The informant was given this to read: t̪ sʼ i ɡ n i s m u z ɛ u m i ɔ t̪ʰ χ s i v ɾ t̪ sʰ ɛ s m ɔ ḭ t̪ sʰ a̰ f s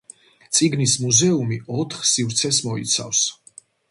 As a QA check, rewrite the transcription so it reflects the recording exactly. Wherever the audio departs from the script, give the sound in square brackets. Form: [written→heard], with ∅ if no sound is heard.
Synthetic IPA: t̪ sʼ i ɡ n i s m u z ɛ u m i ɔ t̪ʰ χ s i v ɾ t̪ sʰ ɛ s m ɔ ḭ t̪ sʰ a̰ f s